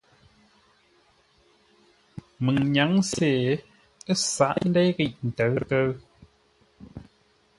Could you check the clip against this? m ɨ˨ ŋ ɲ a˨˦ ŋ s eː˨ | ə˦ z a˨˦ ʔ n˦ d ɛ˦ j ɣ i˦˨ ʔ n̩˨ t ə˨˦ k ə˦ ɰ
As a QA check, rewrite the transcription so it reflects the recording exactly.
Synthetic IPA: m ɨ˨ ŋ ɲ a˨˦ ŋ s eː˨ | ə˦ s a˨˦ ʔ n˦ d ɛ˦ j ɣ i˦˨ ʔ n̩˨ t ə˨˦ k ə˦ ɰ